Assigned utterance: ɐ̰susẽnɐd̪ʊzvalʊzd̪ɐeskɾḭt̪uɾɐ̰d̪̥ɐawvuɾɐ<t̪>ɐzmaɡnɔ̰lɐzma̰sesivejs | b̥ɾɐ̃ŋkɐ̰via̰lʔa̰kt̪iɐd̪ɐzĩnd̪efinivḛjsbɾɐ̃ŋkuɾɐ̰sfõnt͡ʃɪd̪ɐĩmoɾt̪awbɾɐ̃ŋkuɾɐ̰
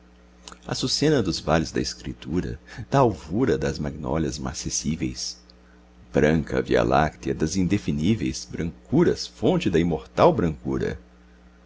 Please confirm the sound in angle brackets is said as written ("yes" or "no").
no